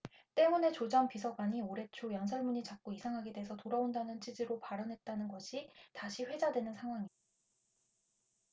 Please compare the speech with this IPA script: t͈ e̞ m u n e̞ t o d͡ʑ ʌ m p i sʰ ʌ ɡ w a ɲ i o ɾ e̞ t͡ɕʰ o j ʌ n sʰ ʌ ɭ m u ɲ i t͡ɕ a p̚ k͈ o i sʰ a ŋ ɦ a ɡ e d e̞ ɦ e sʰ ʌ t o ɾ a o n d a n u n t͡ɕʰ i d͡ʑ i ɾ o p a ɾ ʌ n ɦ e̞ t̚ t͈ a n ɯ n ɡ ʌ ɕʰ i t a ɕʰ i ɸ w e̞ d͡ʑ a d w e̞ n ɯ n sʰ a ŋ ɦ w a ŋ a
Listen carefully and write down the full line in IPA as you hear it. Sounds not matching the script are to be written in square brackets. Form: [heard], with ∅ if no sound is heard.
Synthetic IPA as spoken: t͈ e̞ m u n e̞ [t͡ɕ] o d͡ʑ ʌ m p i sʰ ʌ ɡ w a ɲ i o ɾ e̞ t͡ɕʰ o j ʌ n sʰ ʌ ɭ m u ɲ i t͡ɕ a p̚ k͈ o i sʰ a ŋ ɦ a ɡ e d e̞ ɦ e sʰ ʌ t o ɾ a o n d a n [ɯ] n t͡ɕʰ i d͡ʑ i ɾ o p a ɾ ʌ n ɦ e̞ t̚ t͈ a n ɯ n ɡ ʌ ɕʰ i t a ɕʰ i ɸ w e̞ d͡ʑ a d w e̞ n ɯ n sʰ a ŋ ɦ w a ŋ [i]